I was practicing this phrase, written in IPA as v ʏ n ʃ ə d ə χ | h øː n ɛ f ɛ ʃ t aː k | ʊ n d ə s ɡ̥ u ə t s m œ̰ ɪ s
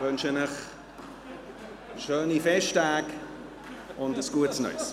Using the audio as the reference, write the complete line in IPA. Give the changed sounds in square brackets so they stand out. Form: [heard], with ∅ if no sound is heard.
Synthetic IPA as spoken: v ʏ n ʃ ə [n] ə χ | [ʃ] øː n [i] f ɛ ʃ t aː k | ʊ n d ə s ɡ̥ u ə t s [n] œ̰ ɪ s